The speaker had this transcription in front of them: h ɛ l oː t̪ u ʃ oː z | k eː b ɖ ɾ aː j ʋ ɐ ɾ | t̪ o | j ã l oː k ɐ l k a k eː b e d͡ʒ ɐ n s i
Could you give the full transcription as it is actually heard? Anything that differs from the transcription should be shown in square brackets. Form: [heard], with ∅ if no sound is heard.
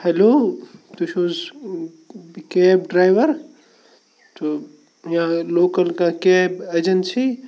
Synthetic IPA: h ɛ l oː t̪ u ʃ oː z | k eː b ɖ ɾ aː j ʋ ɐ ɾ | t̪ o | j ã l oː k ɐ l k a k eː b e d͡ʒ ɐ n s i